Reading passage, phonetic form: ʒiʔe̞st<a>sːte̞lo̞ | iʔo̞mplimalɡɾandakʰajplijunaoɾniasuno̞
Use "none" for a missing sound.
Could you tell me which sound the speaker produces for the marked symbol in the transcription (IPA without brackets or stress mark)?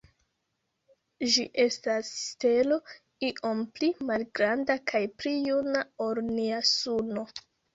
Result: a